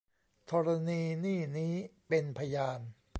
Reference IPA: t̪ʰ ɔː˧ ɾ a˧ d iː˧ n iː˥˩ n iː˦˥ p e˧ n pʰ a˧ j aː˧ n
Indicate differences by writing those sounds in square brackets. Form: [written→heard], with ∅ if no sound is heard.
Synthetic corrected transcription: t̪ʰ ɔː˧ ɾ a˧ [d→n] iː˧ n iː˥˩ n iː˦˥ p e˧ n pʰ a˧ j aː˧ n